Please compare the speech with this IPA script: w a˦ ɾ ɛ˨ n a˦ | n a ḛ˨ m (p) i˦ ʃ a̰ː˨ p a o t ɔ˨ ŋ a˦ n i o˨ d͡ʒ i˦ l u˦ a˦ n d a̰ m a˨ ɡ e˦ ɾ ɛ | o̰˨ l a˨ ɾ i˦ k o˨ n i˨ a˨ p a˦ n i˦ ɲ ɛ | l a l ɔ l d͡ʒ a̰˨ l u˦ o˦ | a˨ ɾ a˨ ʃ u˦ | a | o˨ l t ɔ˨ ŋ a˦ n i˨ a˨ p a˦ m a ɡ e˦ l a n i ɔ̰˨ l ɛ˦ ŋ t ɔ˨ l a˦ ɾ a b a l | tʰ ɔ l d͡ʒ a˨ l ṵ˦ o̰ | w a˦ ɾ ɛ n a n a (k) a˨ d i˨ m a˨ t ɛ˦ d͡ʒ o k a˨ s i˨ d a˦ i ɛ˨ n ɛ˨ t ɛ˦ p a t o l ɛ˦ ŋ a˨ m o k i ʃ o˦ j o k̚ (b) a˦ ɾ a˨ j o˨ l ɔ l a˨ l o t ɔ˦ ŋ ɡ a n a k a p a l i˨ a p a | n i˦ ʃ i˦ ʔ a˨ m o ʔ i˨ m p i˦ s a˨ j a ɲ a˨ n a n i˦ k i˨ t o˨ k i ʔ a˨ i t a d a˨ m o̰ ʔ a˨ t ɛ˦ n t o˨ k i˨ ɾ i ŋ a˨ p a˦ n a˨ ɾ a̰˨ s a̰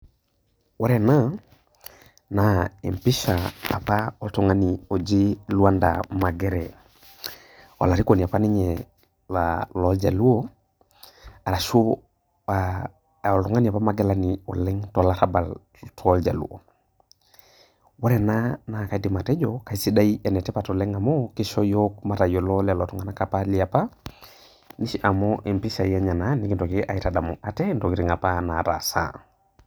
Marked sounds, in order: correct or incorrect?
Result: correct, correct, incorrect: m

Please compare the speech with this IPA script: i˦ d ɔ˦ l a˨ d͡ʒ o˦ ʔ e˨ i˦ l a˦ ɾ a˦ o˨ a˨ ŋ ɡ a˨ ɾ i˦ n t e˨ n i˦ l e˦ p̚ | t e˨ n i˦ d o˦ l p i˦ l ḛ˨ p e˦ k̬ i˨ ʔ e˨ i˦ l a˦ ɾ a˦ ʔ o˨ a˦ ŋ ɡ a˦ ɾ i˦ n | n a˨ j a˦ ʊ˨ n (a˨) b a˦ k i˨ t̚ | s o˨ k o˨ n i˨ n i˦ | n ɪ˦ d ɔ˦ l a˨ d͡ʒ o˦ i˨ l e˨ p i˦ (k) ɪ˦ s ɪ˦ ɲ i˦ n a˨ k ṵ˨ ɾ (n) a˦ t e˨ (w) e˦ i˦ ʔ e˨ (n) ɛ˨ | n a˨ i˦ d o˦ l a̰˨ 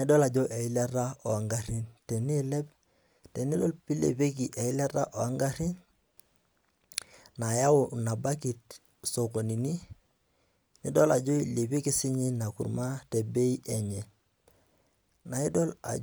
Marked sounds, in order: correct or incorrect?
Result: correct, correct, incorrect: m, incorrect: b, incorrect: ɲ

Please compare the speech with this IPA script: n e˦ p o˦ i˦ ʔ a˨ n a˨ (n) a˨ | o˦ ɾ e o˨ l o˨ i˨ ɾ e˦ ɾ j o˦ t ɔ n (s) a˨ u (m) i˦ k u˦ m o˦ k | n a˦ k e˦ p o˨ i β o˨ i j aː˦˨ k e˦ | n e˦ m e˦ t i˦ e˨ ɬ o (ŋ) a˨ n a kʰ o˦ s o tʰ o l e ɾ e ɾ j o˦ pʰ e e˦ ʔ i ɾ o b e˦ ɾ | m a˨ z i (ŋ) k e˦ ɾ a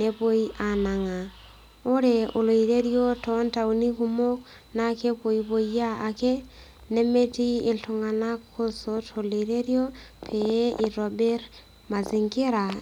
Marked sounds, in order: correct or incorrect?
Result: incorrect: ŋ, incorrect: t, incorrect: n, correct, correct

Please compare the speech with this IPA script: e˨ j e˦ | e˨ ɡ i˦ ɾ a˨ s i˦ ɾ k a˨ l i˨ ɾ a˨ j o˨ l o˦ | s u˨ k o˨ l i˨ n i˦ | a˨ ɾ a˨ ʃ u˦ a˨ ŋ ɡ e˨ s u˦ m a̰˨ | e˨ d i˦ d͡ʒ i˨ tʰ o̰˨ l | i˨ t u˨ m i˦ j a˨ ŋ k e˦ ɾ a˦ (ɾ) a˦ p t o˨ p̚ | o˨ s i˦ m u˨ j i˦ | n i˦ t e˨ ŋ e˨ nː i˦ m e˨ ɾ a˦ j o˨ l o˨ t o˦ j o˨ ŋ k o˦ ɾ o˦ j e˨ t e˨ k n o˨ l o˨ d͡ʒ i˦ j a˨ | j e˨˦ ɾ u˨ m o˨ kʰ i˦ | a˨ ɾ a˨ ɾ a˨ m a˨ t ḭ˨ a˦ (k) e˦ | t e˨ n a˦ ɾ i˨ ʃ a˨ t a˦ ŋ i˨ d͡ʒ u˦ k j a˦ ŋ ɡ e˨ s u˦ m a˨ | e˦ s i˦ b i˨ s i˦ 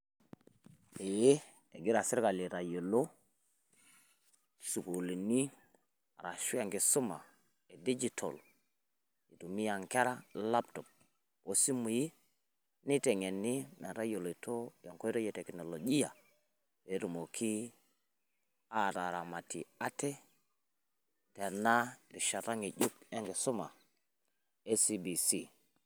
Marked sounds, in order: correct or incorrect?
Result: incorrect: l, incorrect: t

